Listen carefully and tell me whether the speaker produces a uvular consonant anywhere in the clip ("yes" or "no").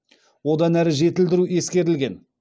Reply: no